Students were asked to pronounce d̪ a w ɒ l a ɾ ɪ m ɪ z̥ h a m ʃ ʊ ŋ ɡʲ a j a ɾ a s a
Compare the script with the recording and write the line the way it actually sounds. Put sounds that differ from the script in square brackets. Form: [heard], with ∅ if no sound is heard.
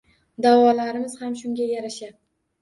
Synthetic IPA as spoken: d̪ a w ɒ l a ɾ ɪ m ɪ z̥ h a m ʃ ʊ ŋ ɡʲ a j a ɾ a [ʃ] a